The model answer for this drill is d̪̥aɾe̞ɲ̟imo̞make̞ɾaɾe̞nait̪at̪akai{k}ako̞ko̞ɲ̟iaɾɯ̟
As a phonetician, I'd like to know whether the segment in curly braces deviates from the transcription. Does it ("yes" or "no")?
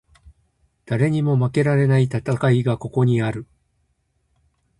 yes